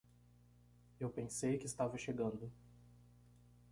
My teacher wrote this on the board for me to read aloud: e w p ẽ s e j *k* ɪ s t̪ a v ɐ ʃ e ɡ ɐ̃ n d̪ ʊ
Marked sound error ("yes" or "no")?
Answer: no